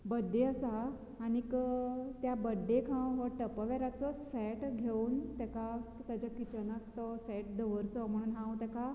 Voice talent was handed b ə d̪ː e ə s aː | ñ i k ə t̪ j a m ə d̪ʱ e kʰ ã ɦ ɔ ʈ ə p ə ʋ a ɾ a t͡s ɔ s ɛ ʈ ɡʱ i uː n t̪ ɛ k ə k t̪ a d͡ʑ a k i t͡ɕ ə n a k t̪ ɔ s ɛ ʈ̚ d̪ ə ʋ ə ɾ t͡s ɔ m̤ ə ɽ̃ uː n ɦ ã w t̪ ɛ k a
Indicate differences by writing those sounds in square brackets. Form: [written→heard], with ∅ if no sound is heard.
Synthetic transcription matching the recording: b ə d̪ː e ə s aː | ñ i k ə t̪ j a [m→b] ə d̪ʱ e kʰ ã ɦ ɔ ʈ ə p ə ʋ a ɾ a t͡s ɔ s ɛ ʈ ɡʱ [i→e] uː n t̪ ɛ k [ə→a] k t̪ a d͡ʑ a k i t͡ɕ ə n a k t̪ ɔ s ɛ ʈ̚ d̪ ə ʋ ə ɾ t͡s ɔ m̤ ə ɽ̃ uː n ɦ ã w t̪ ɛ k a